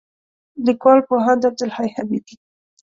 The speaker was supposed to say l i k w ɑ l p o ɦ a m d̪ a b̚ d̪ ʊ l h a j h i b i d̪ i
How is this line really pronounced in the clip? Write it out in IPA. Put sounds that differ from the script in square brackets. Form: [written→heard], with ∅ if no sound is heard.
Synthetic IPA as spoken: l i k w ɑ l p o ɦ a [m→n] d̪ a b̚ d̪ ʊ l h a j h [i→a] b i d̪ i